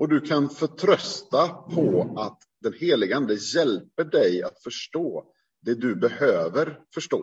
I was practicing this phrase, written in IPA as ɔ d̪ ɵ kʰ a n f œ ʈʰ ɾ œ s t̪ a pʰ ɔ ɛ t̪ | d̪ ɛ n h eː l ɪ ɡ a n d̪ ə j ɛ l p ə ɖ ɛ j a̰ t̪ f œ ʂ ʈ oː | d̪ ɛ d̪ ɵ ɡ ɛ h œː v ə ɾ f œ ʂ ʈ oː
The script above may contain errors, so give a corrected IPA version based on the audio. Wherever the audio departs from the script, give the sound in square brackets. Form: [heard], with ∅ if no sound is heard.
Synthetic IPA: ɔ d̪ ɵ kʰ a n f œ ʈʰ ɾ œ s t̪ a pʰ ɔ [a] t̪ | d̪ ɛ n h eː l ɪ ɡ a n d̪ ə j ɛ l p ə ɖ ɛ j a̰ t̪ f œ ʂ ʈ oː | d̪ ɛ d̪ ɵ [b] ɛ h [øː] v ə ɾ f œ ʂ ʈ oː